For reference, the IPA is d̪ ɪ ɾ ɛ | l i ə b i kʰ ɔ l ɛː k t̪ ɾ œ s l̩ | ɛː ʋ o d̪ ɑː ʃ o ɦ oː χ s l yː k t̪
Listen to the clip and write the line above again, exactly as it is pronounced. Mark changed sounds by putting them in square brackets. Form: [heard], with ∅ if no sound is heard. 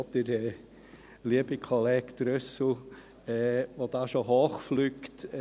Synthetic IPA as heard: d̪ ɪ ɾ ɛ | l i ə b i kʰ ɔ l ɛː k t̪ ɾ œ s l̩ | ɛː ʋ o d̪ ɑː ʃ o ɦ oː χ [f] l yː k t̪